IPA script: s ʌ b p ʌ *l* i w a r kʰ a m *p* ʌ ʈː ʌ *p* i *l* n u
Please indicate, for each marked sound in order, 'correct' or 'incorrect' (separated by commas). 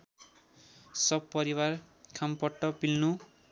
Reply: incorrect, correct, correct, correct